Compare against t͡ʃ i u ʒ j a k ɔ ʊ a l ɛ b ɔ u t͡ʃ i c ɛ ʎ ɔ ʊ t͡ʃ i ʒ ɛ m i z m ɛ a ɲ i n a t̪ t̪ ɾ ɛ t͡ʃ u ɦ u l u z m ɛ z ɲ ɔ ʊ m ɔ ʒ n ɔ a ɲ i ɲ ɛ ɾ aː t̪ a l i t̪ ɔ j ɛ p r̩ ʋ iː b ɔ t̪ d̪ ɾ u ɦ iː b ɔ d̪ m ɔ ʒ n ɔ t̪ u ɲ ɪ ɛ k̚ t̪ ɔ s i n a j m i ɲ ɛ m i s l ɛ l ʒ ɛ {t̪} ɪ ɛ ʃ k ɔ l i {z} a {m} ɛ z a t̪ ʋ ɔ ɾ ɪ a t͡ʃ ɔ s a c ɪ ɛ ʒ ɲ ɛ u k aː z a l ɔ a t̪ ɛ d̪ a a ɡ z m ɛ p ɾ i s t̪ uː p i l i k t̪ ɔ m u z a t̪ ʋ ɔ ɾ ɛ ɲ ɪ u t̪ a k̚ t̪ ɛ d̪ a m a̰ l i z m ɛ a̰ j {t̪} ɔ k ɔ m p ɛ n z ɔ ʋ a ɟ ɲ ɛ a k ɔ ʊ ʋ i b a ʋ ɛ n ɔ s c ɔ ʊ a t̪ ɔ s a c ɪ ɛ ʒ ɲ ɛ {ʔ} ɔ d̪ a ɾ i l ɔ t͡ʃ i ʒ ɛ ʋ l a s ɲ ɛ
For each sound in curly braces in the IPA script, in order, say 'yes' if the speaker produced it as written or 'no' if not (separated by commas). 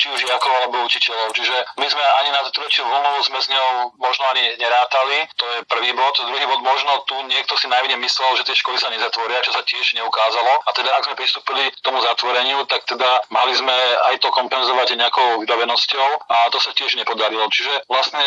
yes, no, no, yes, no